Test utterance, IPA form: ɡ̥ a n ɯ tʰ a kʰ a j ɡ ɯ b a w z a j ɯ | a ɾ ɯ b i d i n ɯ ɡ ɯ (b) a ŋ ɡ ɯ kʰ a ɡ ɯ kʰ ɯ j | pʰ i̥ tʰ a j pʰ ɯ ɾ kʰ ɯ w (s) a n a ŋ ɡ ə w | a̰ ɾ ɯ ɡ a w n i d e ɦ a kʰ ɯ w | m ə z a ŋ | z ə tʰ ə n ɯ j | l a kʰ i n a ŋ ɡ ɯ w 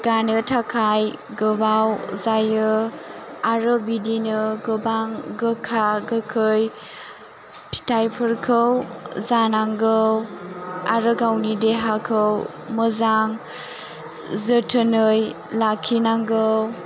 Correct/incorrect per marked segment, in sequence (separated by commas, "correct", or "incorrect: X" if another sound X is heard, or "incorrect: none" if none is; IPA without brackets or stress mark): correct, incorrect: z